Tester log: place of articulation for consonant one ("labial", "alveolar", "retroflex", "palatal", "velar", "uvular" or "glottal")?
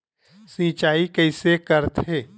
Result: alveolar